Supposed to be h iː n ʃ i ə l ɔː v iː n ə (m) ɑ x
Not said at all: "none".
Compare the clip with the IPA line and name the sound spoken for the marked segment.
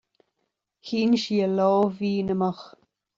m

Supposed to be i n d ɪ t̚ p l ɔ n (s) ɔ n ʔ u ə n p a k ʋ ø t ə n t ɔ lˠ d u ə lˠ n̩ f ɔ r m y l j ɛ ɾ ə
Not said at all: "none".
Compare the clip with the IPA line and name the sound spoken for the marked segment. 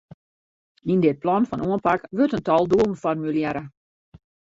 f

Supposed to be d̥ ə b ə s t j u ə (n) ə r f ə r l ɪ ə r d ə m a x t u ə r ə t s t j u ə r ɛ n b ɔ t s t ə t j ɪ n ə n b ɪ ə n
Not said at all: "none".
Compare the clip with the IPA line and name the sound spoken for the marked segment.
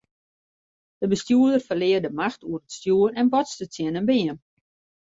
d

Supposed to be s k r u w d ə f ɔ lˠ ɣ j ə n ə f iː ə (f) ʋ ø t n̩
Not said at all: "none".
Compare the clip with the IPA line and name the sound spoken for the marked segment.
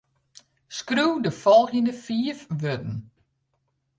f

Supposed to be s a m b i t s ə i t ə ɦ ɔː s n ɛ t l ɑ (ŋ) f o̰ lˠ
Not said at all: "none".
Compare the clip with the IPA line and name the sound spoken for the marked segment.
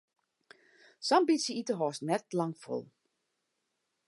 ŋ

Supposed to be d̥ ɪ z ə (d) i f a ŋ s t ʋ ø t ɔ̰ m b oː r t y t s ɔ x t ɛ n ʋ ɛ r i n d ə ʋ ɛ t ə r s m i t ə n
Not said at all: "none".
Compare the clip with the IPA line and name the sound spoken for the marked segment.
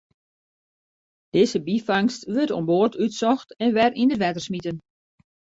b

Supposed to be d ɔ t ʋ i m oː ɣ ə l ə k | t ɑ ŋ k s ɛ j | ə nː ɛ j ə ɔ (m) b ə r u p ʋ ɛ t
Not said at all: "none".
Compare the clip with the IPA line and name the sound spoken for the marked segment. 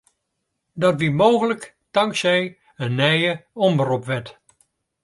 m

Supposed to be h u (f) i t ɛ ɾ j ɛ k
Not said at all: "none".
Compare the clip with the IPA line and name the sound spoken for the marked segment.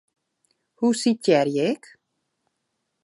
s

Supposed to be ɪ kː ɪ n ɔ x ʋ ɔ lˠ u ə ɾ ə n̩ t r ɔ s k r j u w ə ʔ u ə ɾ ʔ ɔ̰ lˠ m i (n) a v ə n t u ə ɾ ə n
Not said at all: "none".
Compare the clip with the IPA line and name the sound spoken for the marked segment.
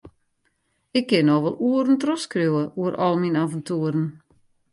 n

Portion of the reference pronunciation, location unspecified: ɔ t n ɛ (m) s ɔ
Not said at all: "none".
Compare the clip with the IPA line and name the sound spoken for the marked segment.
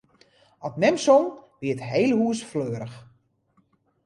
m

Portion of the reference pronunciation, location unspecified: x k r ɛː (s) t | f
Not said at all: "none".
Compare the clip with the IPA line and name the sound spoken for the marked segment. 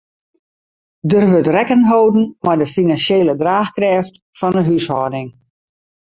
f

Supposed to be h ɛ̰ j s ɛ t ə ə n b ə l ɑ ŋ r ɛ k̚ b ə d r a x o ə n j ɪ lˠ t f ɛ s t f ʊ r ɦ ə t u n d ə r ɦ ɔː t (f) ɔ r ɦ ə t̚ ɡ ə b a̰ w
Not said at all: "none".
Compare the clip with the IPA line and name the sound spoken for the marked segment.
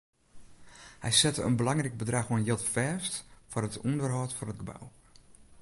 f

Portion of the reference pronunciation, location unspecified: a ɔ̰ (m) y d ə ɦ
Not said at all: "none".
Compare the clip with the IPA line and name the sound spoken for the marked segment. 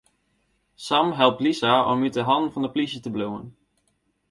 m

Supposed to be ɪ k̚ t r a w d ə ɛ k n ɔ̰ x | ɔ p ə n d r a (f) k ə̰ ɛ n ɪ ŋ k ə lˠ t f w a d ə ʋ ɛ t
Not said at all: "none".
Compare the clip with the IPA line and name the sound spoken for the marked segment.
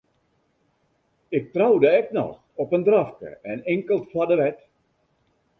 f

